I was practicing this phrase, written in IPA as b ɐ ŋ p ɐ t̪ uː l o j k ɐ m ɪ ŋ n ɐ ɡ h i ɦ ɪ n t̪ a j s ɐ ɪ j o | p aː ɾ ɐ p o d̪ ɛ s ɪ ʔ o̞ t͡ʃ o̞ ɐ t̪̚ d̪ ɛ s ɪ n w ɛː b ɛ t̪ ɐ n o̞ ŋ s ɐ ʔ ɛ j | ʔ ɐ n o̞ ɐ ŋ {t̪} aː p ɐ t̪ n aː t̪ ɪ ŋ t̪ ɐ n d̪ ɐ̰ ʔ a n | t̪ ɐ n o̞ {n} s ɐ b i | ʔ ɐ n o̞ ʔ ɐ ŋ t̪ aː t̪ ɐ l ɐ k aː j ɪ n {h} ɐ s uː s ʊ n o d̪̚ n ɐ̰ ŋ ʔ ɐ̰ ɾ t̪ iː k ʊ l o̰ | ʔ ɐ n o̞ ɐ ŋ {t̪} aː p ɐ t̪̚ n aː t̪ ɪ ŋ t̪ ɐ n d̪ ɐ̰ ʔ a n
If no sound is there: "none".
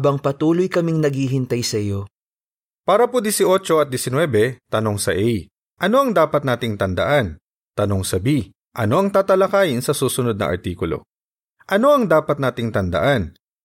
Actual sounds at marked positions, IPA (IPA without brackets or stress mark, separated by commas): d̪, ŋ, s, d̪